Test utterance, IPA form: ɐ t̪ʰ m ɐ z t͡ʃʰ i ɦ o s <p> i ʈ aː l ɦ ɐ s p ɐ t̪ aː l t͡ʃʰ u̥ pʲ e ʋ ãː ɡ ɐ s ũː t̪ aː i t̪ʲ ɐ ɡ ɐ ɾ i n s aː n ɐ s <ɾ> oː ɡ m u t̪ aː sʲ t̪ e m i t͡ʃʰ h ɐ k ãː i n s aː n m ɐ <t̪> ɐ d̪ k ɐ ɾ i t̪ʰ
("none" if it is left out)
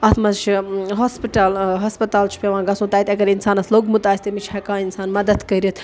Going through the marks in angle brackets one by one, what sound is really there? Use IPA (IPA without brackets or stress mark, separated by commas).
p, l, d̪